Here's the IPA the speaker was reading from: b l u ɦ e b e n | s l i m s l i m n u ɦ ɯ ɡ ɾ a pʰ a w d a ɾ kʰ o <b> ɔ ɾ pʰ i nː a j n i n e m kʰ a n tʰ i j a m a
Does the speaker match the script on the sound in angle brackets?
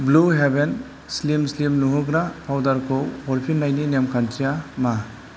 no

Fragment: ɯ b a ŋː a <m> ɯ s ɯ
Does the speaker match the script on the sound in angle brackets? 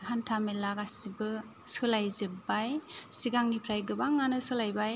no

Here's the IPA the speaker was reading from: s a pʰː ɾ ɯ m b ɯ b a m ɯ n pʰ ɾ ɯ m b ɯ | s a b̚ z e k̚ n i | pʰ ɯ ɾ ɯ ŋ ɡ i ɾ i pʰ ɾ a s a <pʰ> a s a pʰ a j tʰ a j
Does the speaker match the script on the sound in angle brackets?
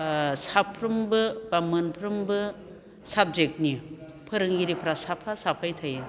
yes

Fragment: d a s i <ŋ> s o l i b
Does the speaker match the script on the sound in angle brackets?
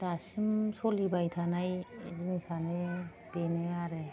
no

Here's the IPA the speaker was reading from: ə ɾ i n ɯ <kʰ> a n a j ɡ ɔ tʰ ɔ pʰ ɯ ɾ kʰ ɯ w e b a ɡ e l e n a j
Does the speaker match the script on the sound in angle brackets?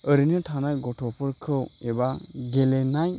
no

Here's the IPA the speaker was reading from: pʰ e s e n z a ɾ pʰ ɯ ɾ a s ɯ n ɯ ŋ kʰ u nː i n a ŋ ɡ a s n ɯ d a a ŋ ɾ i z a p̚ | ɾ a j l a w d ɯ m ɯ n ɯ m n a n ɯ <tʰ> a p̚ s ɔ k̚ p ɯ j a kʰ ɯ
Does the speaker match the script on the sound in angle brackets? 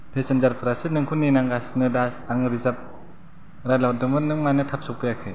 yes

